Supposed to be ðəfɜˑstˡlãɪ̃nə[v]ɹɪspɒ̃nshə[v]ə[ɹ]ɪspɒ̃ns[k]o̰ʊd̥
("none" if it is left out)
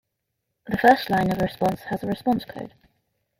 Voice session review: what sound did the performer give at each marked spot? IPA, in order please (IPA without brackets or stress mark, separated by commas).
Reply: v, z, ɹ, kʰ